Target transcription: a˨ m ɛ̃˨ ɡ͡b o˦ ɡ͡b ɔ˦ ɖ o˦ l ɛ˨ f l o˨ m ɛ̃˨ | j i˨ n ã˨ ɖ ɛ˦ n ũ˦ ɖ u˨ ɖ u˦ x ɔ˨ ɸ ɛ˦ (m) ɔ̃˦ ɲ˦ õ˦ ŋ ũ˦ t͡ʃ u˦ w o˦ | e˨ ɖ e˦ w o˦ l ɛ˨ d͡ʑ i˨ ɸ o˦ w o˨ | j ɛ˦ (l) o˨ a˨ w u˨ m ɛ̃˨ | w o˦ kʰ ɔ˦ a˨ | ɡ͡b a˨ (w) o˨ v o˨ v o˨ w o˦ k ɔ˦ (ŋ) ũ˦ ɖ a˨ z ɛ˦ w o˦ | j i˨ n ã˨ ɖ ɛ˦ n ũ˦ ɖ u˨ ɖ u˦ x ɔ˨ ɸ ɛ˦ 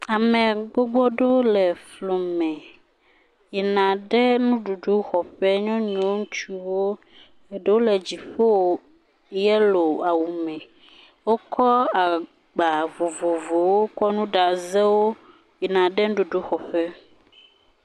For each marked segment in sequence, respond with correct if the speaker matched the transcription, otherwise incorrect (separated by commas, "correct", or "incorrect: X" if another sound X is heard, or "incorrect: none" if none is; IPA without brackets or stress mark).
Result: incorrect: ɲ, correct, incorrect: v, incorrect: n